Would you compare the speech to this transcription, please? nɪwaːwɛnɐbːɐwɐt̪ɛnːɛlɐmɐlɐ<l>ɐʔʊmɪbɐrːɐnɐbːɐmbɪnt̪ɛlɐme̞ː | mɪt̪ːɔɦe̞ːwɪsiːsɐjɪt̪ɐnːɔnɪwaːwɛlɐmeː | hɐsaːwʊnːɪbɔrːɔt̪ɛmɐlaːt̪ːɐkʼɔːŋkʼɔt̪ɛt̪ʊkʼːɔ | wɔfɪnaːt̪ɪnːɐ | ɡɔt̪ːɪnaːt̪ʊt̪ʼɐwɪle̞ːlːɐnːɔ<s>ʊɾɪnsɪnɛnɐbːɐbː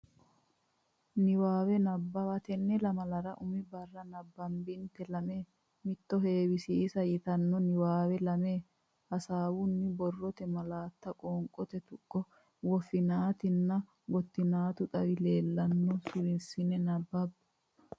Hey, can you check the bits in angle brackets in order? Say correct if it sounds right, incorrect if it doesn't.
incorrect: ɾ, correct

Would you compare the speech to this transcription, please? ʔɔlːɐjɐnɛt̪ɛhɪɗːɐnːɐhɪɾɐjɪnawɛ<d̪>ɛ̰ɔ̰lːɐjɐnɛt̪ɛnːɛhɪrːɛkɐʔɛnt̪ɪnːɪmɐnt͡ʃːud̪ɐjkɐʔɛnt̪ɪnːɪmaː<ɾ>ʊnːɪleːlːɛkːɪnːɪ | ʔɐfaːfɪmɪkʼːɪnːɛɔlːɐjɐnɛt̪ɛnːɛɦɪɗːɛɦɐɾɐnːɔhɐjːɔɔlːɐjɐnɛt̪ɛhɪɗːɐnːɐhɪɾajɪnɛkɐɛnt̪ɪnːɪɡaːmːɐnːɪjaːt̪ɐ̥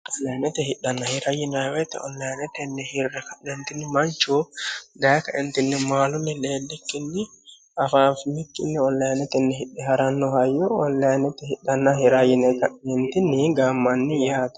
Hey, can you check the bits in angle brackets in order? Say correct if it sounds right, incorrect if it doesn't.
incorrect: t̪, incorrect: l

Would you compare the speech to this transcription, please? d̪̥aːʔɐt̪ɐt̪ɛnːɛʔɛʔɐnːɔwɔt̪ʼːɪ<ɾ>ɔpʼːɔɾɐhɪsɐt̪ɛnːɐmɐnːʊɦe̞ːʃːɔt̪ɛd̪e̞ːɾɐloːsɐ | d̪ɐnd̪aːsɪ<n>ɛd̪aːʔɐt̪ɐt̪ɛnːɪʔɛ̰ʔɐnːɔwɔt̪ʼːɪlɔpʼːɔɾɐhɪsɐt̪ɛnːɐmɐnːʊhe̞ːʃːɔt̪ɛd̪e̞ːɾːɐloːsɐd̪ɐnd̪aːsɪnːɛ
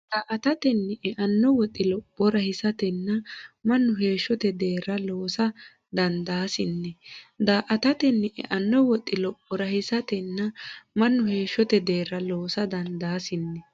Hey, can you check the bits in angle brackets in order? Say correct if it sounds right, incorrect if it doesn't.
incorrect: l, incorrect: nː

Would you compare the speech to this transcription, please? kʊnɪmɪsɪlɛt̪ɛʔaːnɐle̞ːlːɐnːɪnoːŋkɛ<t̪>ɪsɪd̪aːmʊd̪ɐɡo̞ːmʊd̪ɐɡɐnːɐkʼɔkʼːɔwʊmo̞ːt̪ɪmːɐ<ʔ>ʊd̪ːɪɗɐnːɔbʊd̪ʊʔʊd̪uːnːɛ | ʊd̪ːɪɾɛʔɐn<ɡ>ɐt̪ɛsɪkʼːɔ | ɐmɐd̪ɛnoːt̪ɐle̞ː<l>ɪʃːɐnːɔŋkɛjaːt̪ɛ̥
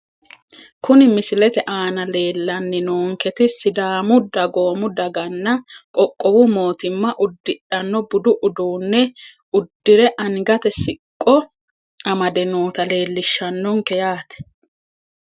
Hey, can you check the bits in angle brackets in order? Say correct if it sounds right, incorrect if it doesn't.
correct, correct, correct, incorrect: lː

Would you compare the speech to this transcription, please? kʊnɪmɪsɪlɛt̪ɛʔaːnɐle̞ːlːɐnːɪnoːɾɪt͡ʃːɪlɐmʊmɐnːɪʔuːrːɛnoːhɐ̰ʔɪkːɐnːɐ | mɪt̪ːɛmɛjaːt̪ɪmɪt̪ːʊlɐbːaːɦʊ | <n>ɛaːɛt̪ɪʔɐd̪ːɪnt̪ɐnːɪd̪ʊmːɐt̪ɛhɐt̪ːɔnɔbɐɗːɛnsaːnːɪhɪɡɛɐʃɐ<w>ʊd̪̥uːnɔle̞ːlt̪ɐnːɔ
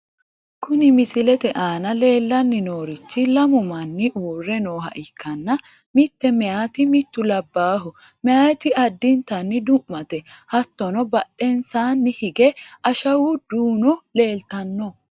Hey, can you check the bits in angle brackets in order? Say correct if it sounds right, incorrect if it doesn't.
incorrect: m, correct

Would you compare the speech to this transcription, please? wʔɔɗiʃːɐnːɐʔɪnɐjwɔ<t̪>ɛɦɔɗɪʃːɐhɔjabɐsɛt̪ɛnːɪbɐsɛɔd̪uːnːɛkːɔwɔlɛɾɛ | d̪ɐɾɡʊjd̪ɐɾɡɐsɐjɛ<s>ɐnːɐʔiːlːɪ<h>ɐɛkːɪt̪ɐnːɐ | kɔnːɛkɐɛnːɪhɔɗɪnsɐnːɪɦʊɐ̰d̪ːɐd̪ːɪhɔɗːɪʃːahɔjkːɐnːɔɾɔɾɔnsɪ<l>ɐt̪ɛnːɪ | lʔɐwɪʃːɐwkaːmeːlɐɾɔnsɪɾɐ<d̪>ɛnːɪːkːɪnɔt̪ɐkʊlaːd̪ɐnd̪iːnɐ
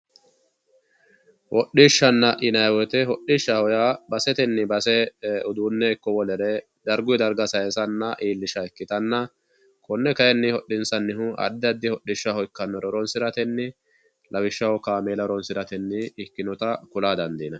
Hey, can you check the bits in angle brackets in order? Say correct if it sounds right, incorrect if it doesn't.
correct, correct, incorrect: ʃ, incorrect: ɾ, incorrect: t̪

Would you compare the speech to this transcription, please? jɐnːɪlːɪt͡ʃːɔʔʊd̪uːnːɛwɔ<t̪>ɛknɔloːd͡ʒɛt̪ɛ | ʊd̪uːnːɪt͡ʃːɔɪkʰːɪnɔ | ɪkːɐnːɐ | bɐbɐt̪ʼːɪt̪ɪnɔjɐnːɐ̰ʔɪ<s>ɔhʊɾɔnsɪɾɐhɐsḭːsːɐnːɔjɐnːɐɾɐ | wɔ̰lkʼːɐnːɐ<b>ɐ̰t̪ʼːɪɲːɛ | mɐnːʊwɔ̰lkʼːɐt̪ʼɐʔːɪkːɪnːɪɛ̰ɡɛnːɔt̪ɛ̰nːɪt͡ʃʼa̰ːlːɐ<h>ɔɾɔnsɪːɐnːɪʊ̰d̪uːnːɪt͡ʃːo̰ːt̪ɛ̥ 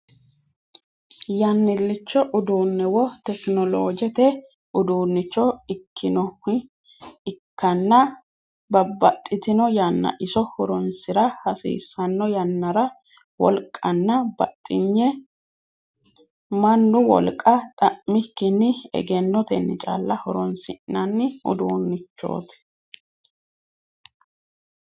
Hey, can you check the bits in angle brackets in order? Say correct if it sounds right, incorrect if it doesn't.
correct, correct, correct, correct

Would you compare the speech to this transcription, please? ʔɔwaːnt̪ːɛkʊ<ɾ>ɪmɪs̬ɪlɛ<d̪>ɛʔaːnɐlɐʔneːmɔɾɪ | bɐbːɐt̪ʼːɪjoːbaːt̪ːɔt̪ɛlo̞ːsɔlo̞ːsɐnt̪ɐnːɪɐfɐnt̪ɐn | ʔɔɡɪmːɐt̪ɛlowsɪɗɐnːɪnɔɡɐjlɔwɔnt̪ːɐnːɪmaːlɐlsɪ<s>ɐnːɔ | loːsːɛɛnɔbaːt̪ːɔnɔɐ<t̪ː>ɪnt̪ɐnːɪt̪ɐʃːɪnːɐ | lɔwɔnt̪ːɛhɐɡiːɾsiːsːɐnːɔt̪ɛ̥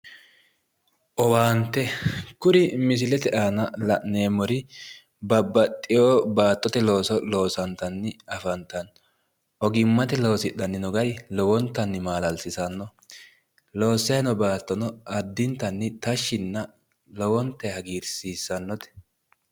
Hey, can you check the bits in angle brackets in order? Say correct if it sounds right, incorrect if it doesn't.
correct, incorrect: t̪, correct, incorrect: d̪ː

